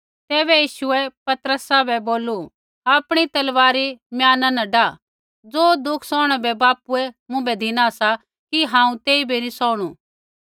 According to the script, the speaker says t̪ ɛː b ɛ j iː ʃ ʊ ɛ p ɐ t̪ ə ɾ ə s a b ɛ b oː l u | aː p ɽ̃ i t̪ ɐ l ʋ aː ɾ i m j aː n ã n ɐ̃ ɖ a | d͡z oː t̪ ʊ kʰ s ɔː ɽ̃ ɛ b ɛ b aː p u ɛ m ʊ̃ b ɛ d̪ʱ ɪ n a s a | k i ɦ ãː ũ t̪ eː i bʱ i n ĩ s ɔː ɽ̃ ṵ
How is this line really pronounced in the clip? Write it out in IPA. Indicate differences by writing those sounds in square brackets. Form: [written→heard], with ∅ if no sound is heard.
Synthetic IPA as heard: t̪ ɛː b ɛ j iː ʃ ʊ ɛ p ɐ t̪ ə ɾ ə s a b ɛ b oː l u | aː p ɽ̃ i t̪ ɐ l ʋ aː ɾ i m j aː n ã n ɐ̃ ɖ a | d͡z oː [t̪→d̪] ʊ kʰ s ɔː ɽ̃ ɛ b ɛ b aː p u ɛ m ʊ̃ b ɛ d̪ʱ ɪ n a s a | k i ɦ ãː ũ t̪ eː i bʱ i n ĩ s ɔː ɽ̃ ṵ